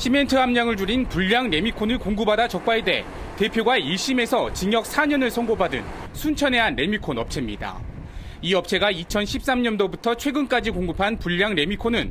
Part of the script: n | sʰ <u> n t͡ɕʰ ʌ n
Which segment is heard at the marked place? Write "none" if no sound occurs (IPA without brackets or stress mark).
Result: u